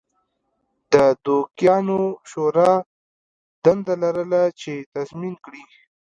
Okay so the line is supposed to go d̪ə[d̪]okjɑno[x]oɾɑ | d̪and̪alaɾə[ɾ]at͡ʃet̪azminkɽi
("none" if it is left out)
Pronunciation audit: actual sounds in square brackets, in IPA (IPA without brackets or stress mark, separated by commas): d̪, ʃ, l